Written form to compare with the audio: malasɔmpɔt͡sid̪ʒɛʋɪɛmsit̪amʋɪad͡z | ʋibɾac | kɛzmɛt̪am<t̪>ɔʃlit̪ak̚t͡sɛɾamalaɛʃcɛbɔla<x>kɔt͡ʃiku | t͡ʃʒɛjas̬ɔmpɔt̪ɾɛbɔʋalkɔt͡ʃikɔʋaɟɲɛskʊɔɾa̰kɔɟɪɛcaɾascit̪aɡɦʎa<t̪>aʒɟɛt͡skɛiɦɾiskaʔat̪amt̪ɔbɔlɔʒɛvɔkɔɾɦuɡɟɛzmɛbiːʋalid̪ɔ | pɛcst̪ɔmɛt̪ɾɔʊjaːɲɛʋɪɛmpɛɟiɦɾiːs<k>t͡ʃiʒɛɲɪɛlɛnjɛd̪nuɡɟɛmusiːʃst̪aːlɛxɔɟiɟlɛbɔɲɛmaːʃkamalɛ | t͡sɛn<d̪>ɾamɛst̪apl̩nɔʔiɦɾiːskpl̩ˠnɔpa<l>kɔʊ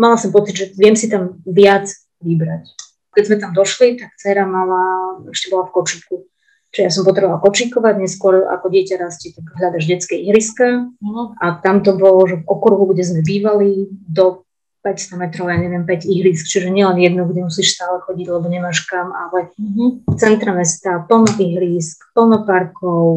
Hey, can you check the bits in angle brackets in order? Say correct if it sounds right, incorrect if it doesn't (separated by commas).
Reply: incorrect, incorrect, incorrect, correct, incorrect, incorrect